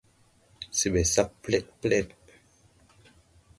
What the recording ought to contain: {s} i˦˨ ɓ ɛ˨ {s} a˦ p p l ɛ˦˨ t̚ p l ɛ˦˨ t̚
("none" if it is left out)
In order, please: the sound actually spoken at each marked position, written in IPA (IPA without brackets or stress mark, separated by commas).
s, s